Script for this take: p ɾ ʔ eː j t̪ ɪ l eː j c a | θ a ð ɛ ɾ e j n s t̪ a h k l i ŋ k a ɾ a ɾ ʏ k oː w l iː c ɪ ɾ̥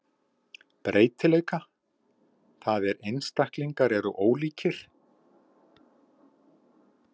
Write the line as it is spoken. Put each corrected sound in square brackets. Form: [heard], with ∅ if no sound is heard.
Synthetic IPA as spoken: p ɾ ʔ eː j t̪ ɪ l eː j [k] a | θ a ð ɛ ɾ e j n s t̪ a h k l i ŋ k a ɾ [ɛ] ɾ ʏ [ʔ] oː w l iː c ɪ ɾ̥